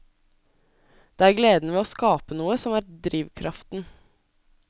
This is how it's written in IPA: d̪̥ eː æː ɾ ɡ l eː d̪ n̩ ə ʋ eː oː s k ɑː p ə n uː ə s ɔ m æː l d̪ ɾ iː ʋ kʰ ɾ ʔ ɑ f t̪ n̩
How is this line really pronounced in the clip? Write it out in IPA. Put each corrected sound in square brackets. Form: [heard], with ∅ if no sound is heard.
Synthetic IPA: d̪̥ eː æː ɾ ɡ l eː d̪ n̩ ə ʋ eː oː s k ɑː p ə n uː ə s ɔ m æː [ɾ] d̪ ɾ iː ʋ kʰ ɾ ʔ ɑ f t̪ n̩